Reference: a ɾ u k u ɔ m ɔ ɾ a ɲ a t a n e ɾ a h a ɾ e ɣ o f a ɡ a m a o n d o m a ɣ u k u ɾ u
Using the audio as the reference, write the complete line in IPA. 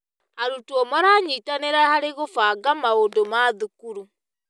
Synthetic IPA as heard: a ɾ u t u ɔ m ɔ ɾ a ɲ i t a n e ɾ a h a ɾ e ɣ o f a ɡ a m a o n d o m a ð u k u ɾ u